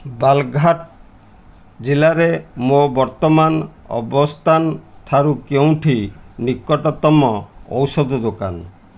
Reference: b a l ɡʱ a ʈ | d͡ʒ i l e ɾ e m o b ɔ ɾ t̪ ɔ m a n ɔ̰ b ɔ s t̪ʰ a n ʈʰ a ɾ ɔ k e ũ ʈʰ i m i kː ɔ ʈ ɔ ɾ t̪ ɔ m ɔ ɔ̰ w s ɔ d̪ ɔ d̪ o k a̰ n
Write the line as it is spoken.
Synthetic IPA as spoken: b a l ɡʱ a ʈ | d͡ʒ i l a ɾ e m o b ɔ ɾ t̪ ɔ m a n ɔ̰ b ɔ s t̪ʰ a n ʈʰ a ɾ u k e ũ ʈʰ i n i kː ɔ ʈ ɔ t̪ ɔ m ɔ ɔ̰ w s ɔ d̪ ɔ d̪ o k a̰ n